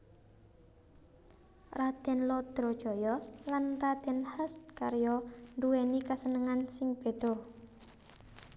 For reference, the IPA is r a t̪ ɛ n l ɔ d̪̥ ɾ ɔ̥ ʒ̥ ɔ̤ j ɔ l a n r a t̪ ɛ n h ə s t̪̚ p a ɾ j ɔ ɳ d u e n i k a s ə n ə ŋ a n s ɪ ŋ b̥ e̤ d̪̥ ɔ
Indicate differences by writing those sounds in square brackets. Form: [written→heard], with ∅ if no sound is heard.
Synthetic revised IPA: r a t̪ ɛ n l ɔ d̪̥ ɾ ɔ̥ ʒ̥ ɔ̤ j ɔ l a n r a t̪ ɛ n h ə s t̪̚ [p→k] a ɾ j ɔ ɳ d u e n i k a s ə n ə ŋ a n s ɪ ŋ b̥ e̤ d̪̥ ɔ